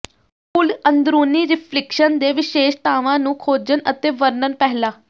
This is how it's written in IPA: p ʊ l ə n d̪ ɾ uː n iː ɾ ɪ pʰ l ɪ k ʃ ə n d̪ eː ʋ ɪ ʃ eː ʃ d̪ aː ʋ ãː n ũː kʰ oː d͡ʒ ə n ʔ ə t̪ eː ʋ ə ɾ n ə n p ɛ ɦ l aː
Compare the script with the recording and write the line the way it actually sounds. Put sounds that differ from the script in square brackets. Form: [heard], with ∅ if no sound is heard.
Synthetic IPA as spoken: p ʊ l ə n d̪ ɾ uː n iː ɾ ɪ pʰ l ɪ k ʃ ə n d̪ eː ʋ ɪ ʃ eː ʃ [t̪] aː ʋ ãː n ũː kʰ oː d͡ʒ ə n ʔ ə t̪ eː ʋ ə ɾ n ə n p ɛ ɦ l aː